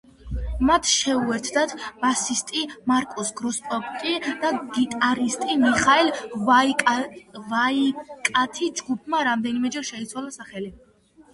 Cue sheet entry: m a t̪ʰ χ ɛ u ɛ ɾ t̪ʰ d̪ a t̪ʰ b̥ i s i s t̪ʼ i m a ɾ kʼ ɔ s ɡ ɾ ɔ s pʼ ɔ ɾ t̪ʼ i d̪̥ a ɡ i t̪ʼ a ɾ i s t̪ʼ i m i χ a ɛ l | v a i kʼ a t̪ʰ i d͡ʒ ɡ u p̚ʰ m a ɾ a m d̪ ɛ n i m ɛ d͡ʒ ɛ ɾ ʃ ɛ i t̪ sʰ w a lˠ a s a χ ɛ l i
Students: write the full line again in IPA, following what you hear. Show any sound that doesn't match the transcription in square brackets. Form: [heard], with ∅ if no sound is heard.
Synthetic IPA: m a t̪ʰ [ʃ] ɛ u ɛ ɾ t̪ʰ d̪ a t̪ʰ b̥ [a] s i s t̪ʼ i m a ɾ kʼ ɔ s ɡ ɾ ɔ s pʼ ɔ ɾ t̪ʼ i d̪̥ a ɡ i t̪ʼ a ɾ i s t̪ʼ i m i χ a ɛ l | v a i kʼ a t̪ʰ i d͡ʒ ɡ u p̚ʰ m a ɾ a m d̪ ɛ n i m ɛ d͡ʒ ɛ ɾ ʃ ɛ i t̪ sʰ w a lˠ a s a χ ɛ l i

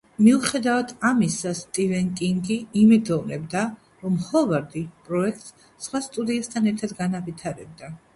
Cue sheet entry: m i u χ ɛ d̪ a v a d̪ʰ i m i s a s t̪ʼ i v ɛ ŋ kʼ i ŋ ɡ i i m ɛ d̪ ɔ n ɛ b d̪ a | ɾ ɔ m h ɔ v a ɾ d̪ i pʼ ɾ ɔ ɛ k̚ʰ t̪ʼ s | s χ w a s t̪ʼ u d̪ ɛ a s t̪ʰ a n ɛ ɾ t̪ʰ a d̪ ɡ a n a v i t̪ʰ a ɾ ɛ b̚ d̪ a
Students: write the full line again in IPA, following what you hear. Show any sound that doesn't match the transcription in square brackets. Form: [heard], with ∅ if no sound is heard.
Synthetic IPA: m i u χ ɛ d̪ a v a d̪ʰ [a] m i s a s t̪ʼ i v ɛ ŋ kʼ i ŋ ɡ i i m ɛ d̪ ɔ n ɛ b d̪ a | ɾ ɔ m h ɔ v a ɾ d̪ i pʼ ɾ ɔ ɛ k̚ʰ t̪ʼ s | s χ w a s t̪ʼ u d̪ [i] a s t̪ʰ a n ɛ ɾ t̪ʰ a d̪ ɡ a n a v i t̪ʰ a ɾ ɛ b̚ d̪ a

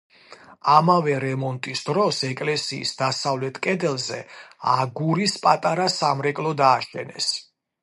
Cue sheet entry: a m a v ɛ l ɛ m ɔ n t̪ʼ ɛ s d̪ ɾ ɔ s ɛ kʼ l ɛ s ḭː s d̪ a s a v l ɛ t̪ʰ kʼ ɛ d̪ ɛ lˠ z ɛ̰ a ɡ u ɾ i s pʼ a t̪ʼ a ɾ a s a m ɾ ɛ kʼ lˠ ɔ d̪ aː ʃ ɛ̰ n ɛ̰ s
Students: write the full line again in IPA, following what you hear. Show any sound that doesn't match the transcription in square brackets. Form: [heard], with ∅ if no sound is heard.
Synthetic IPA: a m a v ɛ [ɾ] ɛ m ɔ n t̪ʼ [i] s d̪ ɾ ɔ s ɛ kʼ l ɛ s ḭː s d̪ a s a v l ɛ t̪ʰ kʼ ɛ d̪ ɛ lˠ z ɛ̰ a ɡ u ɾ i s pʼ a t̪ʼ a ɾ a s a m ɾ ɛ kʼ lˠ ɔ d̪ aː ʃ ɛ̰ n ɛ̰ s

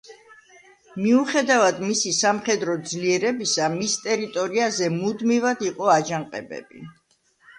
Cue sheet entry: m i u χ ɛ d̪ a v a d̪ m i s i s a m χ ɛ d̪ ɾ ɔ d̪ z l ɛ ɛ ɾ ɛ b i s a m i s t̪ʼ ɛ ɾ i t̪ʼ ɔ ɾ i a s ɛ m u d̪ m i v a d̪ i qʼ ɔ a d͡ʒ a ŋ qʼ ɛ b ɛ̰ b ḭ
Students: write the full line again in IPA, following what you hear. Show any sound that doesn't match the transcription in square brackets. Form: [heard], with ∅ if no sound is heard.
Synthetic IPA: m i u χ ɛ d̪ a v a d̪ m i s i s a m χ ɛ d̪ ɾ ɔ d̪ z l [i] ɛ ɾ ɛ b i s a m i s t̪ʼ ɛ ɾ i t̪ʼ ɔ ɾ i a [z] ɛ m u d̪ m i v a d̪ i qʼ ɔ a d͡ʒ a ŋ qʼ ɛ b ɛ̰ b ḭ

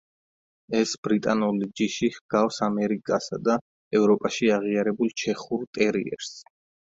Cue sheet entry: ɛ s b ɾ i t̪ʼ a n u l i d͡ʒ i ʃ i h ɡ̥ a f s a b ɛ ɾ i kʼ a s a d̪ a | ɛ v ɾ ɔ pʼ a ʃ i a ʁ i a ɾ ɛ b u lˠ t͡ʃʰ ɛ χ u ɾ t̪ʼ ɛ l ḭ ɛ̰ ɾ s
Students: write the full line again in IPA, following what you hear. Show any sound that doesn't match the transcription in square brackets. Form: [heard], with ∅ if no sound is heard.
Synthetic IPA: ɛ s b ɾ i t̪ʼ a n u l i d͡ʒ i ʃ i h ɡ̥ a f s a [m] ɛ ɾ i kʼ a s a d̪ a | ɛ v ɾ ɔ pʼ a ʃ i a ʁ i a ɾ ɛ b u lˠ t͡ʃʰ ɛ χ u ɾ t̪ʼ ɛ [ɾ] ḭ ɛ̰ ɾ s

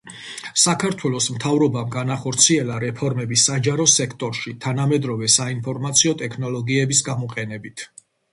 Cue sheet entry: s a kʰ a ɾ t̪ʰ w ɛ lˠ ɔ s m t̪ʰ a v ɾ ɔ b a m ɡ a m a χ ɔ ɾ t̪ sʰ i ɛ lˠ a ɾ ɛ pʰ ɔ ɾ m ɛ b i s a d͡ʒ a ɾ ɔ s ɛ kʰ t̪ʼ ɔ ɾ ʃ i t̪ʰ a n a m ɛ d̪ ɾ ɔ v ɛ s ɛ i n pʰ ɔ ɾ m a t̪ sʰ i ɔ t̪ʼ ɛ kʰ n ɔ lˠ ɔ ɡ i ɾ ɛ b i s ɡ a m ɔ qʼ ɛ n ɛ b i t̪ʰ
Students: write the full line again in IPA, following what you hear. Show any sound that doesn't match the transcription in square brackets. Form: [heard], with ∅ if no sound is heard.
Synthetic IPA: s a kʰ a ɾ t̪ʰ w ɛ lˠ ɔ s m t̪ʰ a v ɾ ɔ b a m ɡ a [n] a χ ɔ ɾ t̪ sʰ i ɛ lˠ a ɾ ɛ pʰ ɔ ɾ m ɛ b i s a d͡ʒ a ɾ ɔ s ɛ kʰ t̪ʼ ɔ ɾ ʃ i t̪ʰ a n a m ɛ d̪ ɾ ɔ v ɛ s [a] i n pʰ ɔ ɾ m a t̪ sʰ i ɔ t̪ʼ ɛ kʰ n ɔ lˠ ɔ ɡ i [∅] ɛ b i s ɡ a m ɔ qʼ ɛ n ɛ b i t̪ʰ

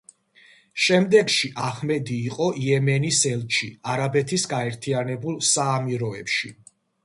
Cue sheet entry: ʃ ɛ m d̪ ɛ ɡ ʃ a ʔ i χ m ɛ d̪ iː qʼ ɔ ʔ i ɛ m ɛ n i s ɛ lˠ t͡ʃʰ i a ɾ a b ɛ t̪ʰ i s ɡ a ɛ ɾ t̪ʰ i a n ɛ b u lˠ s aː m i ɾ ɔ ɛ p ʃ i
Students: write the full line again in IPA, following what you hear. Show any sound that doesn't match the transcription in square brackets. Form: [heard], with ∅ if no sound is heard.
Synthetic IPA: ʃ ɛ m d̪ ɛ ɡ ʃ [i] ʔ [a] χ m ɛ d̪ iː qʼ ɔ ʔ i ɛ m ɛ n i s ɛ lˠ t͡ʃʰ i a ɾ a b ɛ t̪ʰ i s ɡ a ɛ ɾ t̪ʰ i a n ɛ b u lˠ s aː m i ɾ ɔ ɛ p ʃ i

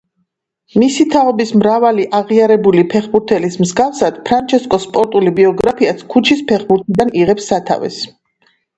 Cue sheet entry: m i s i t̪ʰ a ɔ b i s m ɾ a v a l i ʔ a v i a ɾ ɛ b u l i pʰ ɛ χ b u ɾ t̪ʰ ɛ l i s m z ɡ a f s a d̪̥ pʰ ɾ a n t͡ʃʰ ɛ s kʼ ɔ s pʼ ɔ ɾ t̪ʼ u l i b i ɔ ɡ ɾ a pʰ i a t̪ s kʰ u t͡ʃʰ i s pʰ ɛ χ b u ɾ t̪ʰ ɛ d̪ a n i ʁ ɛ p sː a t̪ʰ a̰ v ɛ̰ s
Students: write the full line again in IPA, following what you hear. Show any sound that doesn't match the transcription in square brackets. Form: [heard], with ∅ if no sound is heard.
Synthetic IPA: m i s i t̪ʰ a ɔ b i s m ɾ a v a l i ʔ a [ʁ] i a ɾ ɛ b u l i pʰ ɛ χ b u ɾ t̪ʰ ɛ l i s m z ɡ a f s a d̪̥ pʰ ɾ a n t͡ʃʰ ɛ s kʼ ɔ s pʼ ɔ ɾ t̪ʼ u l i b i ɔ ɡ ɾ a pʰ i a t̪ s kʰ u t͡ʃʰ i s pʰ ɛ χ b u ɾ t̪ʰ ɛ d̪ a n i ʁ ɛ p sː a t̪ʰ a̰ v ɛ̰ s

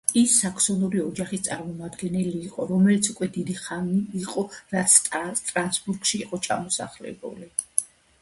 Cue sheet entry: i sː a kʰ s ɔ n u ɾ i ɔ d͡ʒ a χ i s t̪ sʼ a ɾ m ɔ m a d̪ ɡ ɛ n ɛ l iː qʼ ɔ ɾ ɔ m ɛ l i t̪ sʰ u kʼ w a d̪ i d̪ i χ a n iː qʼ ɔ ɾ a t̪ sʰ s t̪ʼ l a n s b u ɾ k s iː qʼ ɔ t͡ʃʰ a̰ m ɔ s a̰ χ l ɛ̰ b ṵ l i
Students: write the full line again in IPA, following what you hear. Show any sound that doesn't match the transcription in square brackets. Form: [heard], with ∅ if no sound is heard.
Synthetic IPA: i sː a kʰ s ɔ n u ɾ i ɔ d͡ʒ a χ i s t̪ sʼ a ɾ m ɔ m a d̪ ɡ ɛ n ɛ l iː qʼ ɔ ɾ ɔ m ɛ l i t̪ sʰ u kʼ w [ɛ] d̪ i d̪ i χ a n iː qʼ ɔ ɾ a t̪ sʰ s t̪ʼ [ɾ] a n s b u ɾ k [ʃ] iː qʼ ɔ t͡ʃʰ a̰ m ɔ s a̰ χ l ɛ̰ b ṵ l i

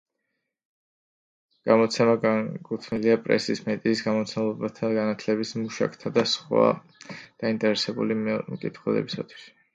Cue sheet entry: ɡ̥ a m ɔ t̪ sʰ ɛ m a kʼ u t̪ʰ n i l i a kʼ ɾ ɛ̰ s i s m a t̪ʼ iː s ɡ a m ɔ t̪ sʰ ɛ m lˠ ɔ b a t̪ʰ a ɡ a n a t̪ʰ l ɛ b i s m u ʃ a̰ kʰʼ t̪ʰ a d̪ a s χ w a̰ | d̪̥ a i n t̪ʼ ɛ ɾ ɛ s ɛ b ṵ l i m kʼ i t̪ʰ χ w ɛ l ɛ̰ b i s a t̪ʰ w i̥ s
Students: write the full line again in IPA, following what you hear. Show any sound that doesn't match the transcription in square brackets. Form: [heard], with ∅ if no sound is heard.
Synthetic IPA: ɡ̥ a m ɔ t̪ sʰ ɛ m a kʼ u t̪ʰ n i l i a [pʼ] ɾ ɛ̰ s i s m [ɛ] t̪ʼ iː s ɡ a m ɔ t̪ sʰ ɛ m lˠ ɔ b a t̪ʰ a ɡ a n a t̪ʰ l ɛ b i s m u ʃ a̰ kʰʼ t̪ʰ a d̪ a s χ w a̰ | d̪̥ a i n t̪ʼ ɛ ɾ ɛ s ɛ b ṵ l i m kʼ i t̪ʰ χ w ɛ l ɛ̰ b i s a t̪ʰ w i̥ s

